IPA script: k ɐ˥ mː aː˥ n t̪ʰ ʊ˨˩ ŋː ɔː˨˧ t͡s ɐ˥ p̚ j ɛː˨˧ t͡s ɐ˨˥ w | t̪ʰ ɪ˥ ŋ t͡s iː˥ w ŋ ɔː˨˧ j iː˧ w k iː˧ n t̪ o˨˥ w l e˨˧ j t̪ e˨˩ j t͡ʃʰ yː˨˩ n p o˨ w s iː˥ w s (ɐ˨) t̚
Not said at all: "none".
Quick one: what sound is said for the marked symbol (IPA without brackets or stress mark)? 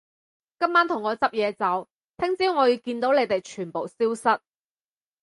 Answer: ɐ˥